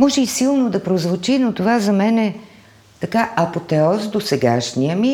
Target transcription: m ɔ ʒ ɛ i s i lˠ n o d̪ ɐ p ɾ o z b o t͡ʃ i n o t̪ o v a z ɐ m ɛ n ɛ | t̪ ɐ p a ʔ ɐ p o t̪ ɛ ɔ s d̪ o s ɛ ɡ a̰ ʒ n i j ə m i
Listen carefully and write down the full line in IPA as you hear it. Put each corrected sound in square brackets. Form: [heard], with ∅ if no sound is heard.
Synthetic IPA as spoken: m ɔ ʒ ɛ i s i lˠ n o d̪ ɐ p ɾ o z [v] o t͡ʃ i n o t̪ o v a z ɐ m ɛ n ɛ | t̪ ɐ [k] a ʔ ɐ p o t̪ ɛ ɔ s d̪ o s ɛ ɡ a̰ [ʃ] n i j ə m i